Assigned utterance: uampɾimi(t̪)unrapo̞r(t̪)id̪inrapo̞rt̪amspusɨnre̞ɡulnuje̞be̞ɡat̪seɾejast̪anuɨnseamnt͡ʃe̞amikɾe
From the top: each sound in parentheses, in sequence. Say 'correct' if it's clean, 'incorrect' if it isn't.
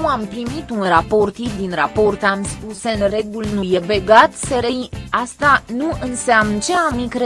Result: correct, correct

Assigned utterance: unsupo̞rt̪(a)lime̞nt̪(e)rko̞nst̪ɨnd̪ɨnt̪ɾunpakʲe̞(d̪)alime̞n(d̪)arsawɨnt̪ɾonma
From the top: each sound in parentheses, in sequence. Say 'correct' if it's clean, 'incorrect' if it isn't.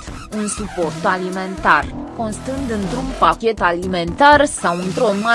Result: correct, incorrect: a, incorrect: t̪, incorrect: t̪

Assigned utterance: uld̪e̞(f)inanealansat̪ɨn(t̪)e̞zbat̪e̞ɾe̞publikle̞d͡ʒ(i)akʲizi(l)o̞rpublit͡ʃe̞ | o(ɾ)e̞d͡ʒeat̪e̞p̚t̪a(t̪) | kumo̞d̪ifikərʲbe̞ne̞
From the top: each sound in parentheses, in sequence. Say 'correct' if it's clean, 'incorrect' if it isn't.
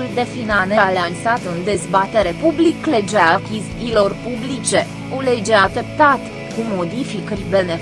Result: correct, incorrect: d̪, incorrect: e, correct, incorrect: l, correct

